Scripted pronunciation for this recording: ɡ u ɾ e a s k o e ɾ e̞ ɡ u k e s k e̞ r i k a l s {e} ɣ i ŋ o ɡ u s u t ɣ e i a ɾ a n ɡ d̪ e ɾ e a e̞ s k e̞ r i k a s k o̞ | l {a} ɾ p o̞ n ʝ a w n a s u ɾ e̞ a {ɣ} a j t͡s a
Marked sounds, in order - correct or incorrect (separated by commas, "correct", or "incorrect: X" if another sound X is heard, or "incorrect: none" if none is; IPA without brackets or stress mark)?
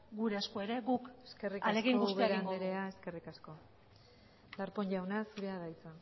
correct, correct, incorrect: ð